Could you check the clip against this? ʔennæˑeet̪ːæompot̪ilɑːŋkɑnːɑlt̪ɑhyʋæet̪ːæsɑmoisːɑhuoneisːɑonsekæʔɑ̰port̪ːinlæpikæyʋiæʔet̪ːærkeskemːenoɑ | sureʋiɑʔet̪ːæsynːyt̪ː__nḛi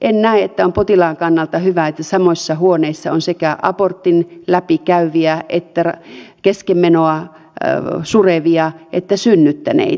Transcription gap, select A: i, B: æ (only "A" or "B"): B